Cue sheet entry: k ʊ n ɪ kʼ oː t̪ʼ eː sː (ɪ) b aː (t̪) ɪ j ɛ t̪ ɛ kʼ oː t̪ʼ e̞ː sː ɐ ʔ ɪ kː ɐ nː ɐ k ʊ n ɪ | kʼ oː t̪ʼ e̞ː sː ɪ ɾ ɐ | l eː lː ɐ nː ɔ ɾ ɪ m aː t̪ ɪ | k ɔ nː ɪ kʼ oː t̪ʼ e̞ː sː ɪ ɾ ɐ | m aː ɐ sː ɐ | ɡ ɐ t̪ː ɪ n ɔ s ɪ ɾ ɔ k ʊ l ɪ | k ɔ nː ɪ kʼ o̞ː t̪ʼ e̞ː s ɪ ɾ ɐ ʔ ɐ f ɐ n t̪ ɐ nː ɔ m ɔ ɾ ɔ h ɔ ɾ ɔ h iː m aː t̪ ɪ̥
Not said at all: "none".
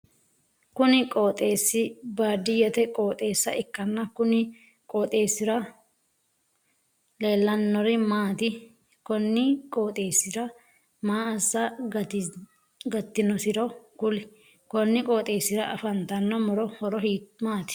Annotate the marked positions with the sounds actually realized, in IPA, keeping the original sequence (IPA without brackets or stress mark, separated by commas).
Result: ɪ, d̪